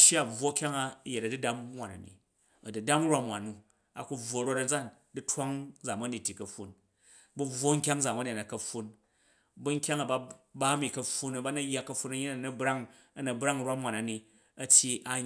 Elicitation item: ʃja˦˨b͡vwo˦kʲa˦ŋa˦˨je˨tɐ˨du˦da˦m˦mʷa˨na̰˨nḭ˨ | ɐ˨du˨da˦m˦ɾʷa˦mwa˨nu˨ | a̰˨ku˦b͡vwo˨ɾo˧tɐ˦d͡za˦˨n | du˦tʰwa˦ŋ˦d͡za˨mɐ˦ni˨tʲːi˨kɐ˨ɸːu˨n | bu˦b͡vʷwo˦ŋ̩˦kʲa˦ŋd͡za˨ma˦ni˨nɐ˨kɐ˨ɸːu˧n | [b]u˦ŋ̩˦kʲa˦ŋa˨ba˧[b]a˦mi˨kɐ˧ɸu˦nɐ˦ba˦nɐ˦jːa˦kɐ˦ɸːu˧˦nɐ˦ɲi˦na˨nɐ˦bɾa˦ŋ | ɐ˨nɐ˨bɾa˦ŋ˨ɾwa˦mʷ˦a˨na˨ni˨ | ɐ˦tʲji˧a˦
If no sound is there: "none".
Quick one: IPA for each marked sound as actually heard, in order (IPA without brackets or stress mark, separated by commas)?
b, b